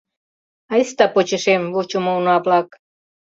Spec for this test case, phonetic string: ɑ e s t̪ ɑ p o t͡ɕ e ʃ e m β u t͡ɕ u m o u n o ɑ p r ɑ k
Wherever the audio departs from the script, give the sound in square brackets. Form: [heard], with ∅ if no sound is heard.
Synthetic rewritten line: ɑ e s t̪ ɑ p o t͡ɕ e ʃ e m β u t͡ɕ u m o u n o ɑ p [l] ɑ k